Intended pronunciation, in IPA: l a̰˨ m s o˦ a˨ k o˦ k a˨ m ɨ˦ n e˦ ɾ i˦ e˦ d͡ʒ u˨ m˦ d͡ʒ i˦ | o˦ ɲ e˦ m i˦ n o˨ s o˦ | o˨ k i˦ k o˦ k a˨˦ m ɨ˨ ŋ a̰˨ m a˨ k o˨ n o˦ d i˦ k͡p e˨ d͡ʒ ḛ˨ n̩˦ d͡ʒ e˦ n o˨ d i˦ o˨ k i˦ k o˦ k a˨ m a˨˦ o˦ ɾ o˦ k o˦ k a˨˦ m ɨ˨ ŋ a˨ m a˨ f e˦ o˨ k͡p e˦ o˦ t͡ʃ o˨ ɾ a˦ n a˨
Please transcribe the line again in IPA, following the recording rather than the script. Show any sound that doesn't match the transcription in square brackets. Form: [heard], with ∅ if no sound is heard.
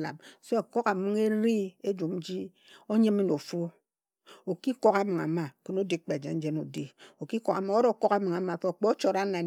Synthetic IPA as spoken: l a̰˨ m s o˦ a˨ k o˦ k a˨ m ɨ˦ [ŋ] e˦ ɾ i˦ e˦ d͡ʒ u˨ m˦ d͡ʒ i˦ | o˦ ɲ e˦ m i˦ n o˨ [f] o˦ | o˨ k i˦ k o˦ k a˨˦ m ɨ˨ ŋ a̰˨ m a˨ k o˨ n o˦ d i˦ k͡p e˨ d͡ʒ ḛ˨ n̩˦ d͡ʒ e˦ n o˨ d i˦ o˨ k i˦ k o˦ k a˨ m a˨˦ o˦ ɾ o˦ k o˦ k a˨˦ m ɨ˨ ŋ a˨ m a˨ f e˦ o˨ k͡p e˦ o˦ t͡ʃ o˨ ɾ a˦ n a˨